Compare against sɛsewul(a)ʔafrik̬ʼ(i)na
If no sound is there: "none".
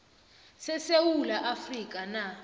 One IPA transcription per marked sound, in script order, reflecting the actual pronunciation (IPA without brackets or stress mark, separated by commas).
a, a